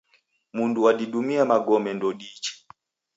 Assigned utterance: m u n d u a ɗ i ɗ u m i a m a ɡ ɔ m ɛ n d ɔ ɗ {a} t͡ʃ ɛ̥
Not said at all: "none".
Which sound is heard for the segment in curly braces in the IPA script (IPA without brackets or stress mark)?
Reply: i